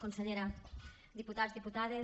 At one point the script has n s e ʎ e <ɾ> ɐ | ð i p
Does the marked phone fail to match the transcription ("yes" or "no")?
no